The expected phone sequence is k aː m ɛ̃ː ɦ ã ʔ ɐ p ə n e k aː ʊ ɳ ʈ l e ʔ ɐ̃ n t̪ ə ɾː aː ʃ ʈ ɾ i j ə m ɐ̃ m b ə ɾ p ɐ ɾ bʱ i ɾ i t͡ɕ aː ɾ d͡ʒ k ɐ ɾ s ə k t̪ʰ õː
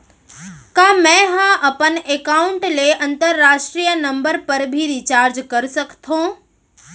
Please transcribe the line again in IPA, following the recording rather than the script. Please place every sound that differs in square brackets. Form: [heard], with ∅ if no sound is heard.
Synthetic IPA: k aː m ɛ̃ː ɦ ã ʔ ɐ p ə n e k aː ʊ ɳ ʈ l e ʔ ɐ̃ n t̪ ə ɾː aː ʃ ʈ ɾ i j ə [n] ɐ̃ m b ə ɾ p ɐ ɾ bʱ i ɾ i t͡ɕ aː ɾ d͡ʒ k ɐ ɾ s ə k t̪ʰ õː